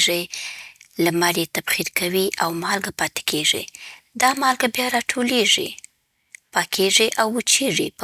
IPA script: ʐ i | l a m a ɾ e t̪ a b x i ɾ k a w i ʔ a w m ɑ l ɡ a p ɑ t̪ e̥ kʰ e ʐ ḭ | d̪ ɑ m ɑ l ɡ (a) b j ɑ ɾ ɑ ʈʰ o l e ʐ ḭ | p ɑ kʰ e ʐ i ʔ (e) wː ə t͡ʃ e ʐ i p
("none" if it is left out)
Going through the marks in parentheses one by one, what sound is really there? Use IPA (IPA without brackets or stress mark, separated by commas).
a, a